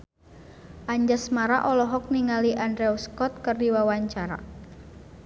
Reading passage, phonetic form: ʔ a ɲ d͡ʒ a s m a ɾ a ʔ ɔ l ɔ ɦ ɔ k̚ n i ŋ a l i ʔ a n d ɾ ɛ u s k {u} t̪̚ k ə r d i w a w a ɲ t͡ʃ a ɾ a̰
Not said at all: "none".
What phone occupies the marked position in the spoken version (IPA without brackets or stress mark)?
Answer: ɔ